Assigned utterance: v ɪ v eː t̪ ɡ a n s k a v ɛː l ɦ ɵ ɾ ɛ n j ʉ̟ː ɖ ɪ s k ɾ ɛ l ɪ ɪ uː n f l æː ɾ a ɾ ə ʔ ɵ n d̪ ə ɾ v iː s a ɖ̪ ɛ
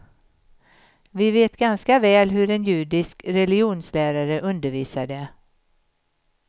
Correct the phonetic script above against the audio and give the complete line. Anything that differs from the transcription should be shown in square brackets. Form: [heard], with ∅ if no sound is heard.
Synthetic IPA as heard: v ɪ v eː t̪ ɡ a n s k a v ɛː l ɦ ɵ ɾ ɛ n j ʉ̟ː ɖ ɪ s k ɾ ɛ l ɪ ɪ uː n [s] l æː ɾ a ɾ ə ʔ ɵ n d̪ ə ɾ v iː s a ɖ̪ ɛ